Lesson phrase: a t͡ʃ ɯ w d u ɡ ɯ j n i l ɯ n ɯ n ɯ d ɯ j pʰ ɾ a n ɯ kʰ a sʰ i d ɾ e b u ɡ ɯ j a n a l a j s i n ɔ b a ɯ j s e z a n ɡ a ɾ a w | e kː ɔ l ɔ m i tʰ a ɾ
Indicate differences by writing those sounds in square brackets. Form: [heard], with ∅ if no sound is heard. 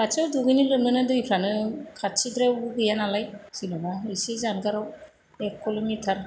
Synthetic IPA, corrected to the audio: a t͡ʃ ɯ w d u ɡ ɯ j n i l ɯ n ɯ n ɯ d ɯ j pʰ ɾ a n ɯ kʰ a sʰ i d ɾ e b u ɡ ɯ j a n a l a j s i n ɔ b a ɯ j s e z a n ɡ a ɾ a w | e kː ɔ l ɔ m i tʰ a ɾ

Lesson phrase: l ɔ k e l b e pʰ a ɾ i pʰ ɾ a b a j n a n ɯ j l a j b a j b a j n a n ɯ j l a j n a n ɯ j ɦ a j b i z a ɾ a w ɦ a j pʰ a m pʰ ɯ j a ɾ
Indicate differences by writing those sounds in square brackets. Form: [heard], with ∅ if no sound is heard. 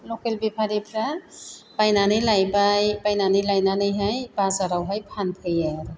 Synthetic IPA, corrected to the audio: l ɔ k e l b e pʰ a ɾ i pʰ ɾ a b a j n a n ɯ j l a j b a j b a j n a n ɯ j l a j n a n ɯ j ɦ a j b [a] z a ɾ a w ɦ a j pʰ a [n] pʰ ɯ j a ɾ

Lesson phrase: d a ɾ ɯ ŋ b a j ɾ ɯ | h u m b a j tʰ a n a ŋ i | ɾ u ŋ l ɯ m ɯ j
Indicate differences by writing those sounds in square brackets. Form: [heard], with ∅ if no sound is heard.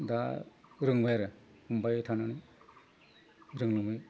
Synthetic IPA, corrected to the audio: d a ɾ ɯ ŋ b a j ɾ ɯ | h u m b a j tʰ a n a [n] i | ɾ [ɯ] ŋ l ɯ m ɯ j

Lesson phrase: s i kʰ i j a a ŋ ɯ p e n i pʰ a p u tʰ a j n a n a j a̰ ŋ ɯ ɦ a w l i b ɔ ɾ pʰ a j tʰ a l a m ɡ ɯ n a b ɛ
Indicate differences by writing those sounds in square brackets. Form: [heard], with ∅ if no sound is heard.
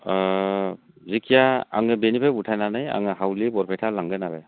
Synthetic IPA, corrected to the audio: [z] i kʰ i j a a ŋ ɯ [b] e n i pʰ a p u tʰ a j n a n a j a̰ ŋ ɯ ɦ a w l i b ɔ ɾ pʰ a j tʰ a l a [ŋ] ɡ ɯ n a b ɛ

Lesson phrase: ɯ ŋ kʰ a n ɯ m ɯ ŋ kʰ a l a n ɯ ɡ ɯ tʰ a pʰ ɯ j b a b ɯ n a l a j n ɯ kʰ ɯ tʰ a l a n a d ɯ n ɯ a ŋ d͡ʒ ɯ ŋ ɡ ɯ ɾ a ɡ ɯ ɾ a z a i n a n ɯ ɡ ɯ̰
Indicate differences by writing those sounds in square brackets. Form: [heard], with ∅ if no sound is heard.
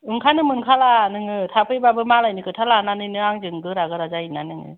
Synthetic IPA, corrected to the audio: ɯ ŋ kʰ a n ɯ m ɯ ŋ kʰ a l a n ɯ [ŋ] ɯ tʰ a pʰ ɯ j b a b ɯ [m] a l a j n ɯ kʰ ɯ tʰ a l a n a [n] ɯ n ɯ a ŋ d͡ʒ ɯ ŋ ɡ ɯ ɾ a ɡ ɯ ɾ a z a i n a n ɯ [ŋ] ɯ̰

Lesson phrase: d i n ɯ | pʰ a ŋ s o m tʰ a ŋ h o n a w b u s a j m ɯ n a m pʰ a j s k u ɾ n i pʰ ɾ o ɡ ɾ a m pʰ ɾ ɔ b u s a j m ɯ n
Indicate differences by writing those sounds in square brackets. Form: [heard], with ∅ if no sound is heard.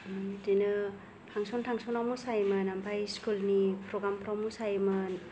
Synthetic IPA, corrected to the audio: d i n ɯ | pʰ a ŋ s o [n] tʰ a ŋ [s] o n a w [m] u s a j m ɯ n a m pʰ a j s k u [l] n i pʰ ɾ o ɡ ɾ a m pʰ ɾ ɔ [m] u s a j m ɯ n

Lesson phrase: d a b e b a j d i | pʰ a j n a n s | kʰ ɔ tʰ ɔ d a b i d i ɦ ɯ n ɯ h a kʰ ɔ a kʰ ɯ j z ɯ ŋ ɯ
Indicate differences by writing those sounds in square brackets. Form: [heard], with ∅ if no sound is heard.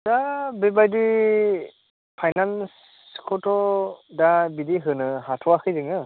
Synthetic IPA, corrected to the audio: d a b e b a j d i | pʰ a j n a n s | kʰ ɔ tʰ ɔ d a b i d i ɦ ɯ n ɯ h a [tʰ] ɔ a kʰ ɯ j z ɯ ŋ ɯ

